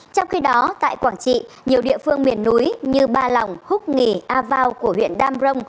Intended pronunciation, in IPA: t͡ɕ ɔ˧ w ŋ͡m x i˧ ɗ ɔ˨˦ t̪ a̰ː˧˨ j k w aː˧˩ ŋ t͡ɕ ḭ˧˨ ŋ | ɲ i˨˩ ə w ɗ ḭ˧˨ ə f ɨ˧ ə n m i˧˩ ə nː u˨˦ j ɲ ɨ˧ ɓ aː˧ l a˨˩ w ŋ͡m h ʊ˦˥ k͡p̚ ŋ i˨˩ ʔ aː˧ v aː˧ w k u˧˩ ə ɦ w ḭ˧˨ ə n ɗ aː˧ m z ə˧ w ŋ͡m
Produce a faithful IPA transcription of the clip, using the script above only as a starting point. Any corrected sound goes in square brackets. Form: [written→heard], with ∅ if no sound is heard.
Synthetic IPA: t͡ɕ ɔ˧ w ŋ͡m x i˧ ɗ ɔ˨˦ t̪ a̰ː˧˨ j k w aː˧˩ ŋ t͡ɕ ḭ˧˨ [ŋ→∅] | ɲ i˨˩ ə w ɗ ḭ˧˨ ə f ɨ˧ ə [n→ŋ] m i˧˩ ə nː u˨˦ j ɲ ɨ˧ ɓ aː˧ l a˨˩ w ŋ͡m h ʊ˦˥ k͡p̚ ŋ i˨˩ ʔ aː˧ v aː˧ w k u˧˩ ə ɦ w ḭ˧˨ ə n ɗ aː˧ m z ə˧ w ŋ͡m

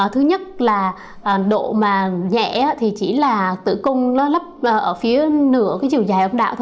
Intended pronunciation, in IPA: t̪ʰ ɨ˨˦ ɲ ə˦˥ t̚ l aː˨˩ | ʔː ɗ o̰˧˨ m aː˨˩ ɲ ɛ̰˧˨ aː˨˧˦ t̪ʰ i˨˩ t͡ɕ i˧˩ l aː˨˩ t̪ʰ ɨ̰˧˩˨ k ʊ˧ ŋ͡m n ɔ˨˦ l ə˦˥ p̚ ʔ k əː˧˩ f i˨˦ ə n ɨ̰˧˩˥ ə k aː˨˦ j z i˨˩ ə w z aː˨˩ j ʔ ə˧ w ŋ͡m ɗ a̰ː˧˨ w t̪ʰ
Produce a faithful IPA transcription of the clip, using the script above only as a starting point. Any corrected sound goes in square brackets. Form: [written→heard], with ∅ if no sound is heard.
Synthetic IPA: t̪ʰ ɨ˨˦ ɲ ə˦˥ t̚ l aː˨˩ | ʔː ɗ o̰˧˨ m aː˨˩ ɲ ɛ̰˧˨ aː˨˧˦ t̪ʰ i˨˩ t͡ɕ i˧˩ l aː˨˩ [t̪ʰ→t̪] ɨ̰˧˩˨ k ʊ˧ ŋ͡m n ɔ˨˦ l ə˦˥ p̚ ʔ [k→ʔ] əː˧˩ f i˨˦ ə n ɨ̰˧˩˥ ə k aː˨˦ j z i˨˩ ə w z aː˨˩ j ʔ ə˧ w ŋ͡m ɗ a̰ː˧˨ w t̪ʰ

